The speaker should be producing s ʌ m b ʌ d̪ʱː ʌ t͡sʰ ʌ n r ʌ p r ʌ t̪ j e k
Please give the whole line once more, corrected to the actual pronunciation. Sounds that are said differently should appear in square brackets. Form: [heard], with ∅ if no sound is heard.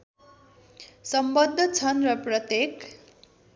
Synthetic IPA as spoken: s ʌ m b ʌ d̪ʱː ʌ t͡sʰ ʌ n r ʌ p r ʌ t̪ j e k